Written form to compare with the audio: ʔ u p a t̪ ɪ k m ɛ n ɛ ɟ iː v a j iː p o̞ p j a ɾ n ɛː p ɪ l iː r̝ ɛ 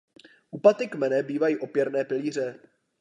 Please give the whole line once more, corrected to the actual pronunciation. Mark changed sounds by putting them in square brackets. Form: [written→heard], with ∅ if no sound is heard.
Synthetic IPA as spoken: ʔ u p a t̪ ɪ k m ɛ n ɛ [ɟ→b] iː v a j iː [p→ʔ] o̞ p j [a→ɛ] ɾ n ɛː p ɪ l iː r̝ ɛ